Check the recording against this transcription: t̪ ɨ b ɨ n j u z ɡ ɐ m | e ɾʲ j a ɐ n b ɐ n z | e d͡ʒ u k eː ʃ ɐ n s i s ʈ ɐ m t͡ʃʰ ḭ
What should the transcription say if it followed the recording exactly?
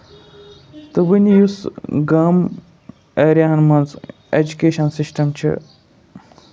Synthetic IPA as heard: t̪ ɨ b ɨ n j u s ɡ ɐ m | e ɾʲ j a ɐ n m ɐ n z | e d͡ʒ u k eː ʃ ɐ n s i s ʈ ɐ m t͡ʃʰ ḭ